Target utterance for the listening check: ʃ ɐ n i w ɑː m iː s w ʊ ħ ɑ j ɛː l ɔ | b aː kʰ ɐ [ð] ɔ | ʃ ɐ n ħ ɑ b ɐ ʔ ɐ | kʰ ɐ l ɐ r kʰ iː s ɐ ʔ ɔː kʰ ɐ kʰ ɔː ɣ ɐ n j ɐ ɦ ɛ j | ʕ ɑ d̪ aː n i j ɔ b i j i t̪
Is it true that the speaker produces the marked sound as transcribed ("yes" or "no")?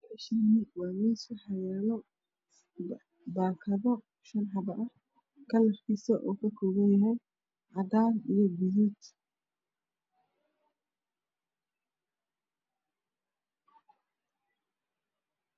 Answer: yes